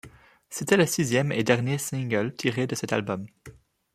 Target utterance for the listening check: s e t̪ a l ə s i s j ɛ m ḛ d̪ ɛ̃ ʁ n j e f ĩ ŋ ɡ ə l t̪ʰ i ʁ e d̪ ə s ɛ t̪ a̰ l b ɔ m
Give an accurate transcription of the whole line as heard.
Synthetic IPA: s e t̪ ɛ l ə s i z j ɛ m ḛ d̪ ɛ ʁ n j e s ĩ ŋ ɡ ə l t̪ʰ i ʁ e d̪ ə s ɛ t̪ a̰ l b ɔ m